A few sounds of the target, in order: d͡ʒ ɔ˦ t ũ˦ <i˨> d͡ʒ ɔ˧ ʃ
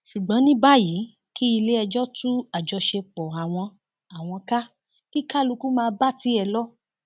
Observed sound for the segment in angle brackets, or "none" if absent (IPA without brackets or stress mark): a˨